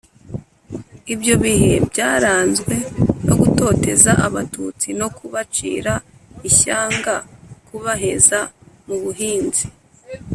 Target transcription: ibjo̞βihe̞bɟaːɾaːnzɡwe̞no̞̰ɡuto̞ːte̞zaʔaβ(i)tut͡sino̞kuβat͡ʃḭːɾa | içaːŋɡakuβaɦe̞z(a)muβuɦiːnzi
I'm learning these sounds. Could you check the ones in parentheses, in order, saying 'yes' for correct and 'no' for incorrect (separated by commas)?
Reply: no, yes